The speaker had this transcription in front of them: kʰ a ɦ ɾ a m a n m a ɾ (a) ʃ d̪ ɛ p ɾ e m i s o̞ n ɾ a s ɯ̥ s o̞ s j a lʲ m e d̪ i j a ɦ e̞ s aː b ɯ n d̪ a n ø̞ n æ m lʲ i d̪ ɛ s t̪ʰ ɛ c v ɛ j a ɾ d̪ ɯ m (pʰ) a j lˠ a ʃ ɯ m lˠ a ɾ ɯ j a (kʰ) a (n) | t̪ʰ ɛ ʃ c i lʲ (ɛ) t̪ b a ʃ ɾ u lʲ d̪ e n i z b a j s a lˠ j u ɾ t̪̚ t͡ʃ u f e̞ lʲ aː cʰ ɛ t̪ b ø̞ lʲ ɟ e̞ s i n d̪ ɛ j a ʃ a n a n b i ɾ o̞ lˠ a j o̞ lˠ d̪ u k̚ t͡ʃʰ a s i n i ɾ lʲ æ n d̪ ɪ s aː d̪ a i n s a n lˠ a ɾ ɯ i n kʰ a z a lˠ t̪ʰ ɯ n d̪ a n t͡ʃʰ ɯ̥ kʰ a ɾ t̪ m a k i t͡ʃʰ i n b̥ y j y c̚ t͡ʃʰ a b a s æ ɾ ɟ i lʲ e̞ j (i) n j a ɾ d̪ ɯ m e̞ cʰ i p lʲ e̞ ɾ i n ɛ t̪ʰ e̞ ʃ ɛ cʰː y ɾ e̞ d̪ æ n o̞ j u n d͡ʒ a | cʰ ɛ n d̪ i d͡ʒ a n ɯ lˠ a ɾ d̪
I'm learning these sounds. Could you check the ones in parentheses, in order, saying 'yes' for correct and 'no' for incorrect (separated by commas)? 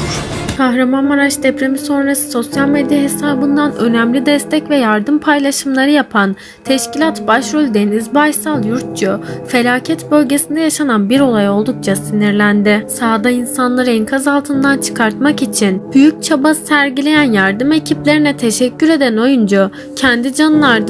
yes, yes, no, yes, no, no